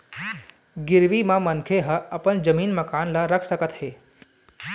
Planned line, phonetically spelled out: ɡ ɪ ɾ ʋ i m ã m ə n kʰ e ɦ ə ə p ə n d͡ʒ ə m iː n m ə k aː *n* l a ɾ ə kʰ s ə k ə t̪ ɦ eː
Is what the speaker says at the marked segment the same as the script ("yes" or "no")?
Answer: yes